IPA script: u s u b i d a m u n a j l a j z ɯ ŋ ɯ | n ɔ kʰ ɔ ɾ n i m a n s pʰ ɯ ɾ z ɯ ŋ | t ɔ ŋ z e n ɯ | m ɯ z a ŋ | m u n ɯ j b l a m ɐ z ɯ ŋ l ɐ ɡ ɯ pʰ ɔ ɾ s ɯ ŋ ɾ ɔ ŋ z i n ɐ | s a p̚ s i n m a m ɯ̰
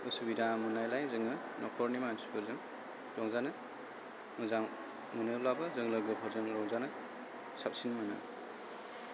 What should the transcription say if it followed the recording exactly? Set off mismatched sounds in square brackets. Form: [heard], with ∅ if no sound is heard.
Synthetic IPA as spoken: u s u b i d a m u n a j l a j z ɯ ŋ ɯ | n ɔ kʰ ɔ ɾ n i m a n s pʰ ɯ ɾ z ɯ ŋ | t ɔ ŋ z [a] n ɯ | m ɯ z a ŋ | m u n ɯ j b l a [b] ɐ z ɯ ŋ l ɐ ɡ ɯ pʰ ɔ ɾ [z] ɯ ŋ ɾ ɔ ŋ z [a] n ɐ | s a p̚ s i n m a [n] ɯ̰

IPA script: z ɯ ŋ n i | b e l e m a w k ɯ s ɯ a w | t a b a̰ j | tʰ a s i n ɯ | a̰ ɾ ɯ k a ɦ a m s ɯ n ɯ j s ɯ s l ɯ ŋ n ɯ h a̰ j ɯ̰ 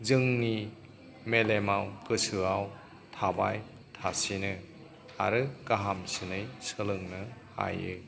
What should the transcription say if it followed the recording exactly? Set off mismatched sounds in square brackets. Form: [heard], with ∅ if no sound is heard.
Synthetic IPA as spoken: z ɯ ŋ n i | [m] e l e m a w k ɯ s ɯ a w | [tʰ] a b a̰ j | tʰ a s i n ɯ | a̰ ɾ ɯ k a ɦ a m s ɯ n ɯ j s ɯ [∅] l ɯ ŋ n ɯ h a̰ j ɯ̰

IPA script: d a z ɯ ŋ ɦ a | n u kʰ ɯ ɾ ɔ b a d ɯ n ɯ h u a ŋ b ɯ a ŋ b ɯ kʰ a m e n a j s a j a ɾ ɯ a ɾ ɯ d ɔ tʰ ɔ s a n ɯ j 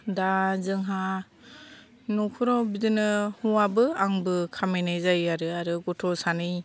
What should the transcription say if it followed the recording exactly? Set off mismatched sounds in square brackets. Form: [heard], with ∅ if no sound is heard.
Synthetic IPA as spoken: d a z ɯ ŋ ɦ a | n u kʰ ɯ ɾ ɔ b [i] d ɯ n ɯ h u a [∅] b ɯ a ŋ b ɯ kʰ a m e n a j [z] a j a ɾ ɯ a ɾ ɯ [ɡ] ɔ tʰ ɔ s a n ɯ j

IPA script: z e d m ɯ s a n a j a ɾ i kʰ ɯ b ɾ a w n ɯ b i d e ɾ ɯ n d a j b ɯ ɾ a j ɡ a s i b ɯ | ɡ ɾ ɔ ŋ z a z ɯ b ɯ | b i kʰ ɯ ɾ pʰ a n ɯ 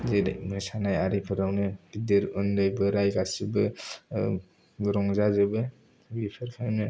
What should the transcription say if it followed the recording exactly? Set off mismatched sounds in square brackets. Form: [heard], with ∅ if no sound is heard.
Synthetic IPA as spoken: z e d m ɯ s a n a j a ɾ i [pʰ] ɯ [∅] ɾ a w n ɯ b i d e ɾ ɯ n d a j b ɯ ɾ a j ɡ a s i b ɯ | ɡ ɾ ɔ ŋ z a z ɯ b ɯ | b i [pʰ] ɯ ɾ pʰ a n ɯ

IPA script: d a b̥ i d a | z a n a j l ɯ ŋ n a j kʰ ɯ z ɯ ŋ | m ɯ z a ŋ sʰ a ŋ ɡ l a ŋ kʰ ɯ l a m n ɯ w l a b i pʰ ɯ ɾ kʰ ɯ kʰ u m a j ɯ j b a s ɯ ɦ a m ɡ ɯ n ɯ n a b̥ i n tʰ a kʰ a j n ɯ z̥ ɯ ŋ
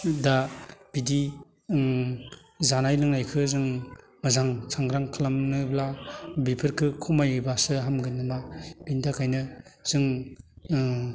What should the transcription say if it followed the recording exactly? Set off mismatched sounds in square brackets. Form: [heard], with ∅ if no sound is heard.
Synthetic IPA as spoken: d a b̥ i d [i] | z a n a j l ɯ ŋ n a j kʰ ɯ z ɯ ŋ | m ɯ z a ŋ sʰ a ŋ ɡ [ɾ] a ŋ kʰ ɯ l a m n ɯ [b] l a b i pʰ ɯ ɾ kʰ ɯ kʰ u m a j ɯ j b a s ɯ ɦ a m ɡ ɯ n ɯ [m] a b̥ i n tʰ a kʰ a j n ɯ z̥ ɯ ŋ

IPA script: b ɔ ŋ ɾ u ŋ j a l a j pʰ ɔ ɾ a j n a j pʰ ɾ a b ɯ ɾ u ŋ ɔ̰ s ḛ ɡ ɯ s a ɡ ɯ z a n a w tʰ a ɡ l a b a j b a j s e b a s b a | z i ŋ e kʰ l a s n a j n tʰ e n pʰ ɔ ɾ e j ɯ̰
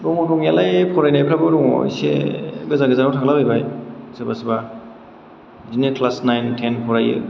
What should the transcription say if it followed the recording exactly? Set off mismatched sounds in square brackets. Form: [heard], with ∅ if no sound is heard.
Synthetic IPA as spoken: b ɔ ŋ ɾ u ŋ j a l a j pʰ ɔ ɾ a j n a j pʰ ɾ a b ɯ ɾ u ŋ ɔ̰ s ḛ ɡ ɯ [z] a ɡ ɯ z a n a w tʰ a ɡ l a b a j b a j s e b a s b a | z i [n] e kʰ l a s n a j n tʰ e n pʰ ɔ ɾ [a] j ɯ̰

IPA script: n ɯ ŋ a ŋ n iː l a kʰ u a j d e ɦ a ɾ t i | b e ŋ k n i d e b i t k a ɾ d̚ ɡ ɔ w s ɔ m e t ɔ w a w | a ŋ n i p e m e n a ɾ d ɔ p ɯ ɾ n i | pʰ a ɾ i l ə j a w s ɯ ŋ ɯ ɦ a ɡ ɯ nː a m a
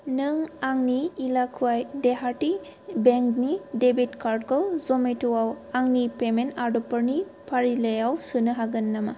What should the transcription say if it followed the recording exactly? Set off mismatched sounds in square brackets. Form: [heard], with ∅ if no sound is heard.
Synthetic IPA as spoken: n ɯ ŋ a ŋ n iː l a kʰ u a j d e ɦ a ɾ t i | b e ŋ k n i d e b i t k a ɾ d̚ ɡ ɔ w [z] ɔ m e t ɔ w a w | a ŋ n i p e m e n a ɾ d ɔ p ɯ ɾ n i | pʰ a ɾ i l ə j a w s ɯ [n] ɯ ɦ a ɡ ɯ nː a m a

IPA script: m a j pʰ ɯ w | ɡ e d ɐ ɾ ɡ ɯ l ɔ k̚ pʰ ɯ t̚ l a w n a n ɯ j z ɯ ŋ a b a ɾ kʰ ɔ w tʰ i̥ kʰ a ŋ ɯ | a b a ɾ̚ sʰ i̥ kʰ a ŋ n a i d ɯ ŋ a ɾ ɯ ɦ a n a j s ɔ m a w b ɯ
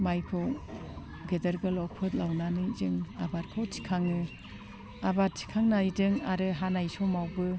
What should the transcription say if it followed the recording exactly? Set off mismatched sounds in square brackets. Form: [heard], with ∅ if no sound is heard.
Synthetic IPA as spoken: m a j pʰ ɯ w | ɡ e d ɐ ɾ ɡ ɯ l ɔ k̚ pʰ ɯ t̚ l a w n a n ɯ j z ɯ ŋ a b a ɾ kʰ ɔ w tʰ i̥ kʰ a ŋ ɯ | a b a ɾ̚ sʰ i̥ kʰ a ŋ n a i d ɯ ŋ a ɾ ɯ ɦ a n a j s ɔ m a w b ɯ

